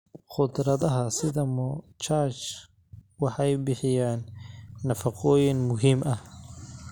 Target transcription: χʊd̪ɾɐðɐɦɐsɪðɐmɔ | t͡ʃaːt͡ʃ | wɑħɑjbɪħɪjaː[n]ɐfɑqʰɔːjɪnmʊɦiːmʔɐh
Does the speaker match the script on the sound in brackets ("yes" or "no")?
no